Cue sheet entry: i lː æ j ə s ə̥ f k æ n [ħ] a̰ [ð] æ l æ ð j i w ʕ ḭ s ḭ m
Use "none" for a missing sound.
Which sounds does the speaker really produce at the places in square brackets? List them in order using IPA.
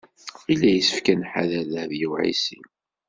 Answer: ħ, ð

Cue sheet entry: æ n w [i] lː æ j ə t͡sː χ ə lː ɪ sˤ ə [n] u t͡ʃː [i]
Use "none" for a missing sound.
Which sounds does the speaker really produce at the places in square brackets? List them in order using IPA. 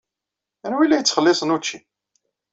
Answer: i, n, i

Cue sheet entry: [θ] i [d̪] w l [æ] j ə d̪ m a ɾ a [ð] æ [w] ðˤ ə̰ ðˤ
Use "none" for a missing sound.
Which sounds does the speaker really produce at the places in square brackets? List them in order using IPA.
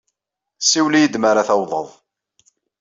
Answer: s, none, i, θ, w

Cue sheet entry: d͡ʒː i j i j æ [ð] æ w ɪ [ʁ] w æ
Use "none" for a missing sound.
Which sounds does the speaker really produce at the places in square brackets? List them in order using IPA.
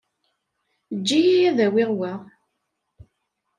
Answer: ð, ʁ

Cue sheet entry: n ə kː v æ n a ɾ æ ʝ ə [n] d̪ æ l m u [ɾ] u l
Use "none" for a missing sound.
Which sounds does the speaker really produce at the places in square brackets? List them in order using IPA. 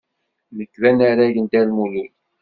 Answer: n, l

